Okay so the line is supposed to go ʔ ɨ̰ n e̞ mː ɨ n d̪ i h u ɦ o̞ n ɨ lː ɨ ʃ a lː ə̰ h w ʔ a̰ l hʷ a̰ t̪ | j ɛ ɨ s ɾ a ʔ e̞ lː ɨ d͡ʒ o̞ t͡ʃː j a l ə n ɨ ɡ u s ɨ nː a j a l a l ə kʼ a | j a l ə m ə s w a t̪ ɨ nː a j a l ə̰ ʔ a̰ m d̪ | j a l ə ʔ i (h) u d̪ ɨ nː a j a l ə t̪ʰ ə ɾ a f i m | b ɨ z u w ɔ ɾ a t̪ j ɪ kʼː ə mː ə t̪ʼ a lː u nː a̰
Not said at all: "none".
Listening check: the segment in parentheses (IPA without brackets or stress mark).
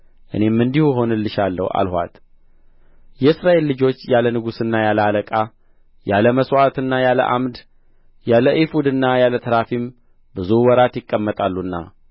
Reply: f